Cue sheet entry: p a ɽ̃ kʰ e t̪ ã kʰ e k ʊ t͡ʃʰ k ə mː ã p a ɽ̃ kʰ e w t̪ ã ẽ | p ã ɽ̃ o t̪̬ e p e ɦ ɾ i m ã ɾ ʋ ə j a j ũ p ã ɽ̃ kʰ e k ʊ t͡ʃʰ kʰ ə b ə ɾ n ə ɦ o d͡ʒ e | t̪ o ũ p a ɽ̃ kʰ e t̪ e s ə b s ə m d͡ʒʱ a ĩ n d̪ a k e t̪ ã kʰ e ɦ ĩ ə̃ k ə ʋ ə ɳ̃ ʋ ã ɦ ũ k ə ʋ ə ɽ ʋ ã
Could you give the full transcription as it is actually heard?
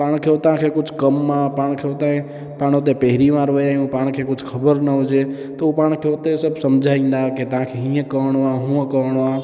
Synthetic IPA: p a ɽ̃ kʰ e t̪ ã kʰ e k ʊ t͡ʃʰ k ə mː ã p a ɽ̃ kʰ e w t̪ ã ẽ | p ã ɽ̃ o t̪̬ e p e ɦ ɾ i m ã ɾ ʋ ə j a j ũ p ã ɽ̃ kʰ e k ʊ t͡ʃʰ kʰ ə b ə ɾ n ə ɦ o d͡ʒ e | t̪ o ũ p a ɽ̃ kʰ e t̪ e s ə b s ə m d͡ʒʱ a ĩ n d̪ a k e t̪ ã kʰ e ɦ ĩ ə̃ k ə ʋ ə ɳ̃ ʋ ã ɦ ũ k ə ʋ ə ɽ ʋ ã